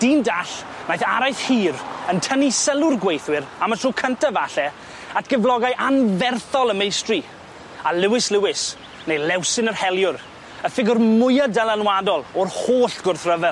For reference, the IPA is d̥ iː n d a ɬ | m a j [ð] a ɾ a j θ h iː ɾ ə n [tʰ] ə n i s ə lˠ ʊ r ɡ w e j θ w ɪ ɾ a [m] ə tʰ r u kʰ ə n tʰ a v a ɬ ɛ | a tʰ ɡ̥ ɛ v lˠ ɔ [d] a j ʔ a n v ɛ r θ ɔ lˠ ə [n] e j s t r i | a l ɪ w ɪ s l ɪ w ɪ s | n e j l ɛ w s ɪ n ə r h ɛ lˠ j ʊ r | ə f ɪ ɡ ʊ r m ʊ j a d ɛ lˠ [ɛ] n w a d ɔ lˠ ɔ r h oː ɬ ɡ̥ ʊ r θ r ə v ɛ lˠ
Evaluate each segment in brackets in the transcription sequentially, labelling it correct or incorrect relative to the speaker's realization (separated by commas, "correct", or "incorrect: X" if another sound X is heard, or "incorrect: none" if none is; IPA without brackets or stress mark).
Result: incorrect: θ, correct, correct, incorrect: ɡ, incorrect: m, incorrect: a